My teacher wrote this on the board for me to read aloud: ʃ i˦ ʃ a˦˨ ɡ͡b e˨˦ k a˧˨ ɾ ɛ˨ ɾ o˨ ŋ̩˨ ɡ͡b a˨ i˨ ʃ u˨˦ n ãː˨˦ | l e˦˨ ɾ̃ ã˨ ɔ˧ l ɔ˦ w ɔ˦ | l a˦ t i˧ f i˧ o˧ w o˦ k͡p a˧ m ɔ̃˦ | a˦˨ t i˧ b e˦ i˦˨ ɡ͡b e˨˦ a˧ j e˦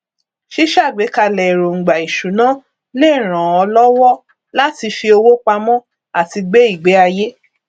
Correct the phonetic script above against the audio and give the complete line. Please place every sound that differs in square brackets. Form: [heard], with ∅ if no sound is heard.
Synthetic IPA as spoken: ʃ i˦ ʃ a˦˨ ɡ͡b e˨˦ k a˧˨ [l] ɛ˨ ɾ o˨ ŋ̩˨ ɡ͡b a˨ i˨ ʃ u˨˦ n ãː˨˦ | l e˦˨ ɾ̃ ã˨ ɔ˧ l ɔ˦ w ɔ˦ | l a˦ t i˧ f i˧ o˧ w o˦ k͡p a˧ m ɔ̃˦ | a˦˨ t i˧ [ɡ͡b] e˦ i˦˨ ɡ͡b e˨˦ a˧ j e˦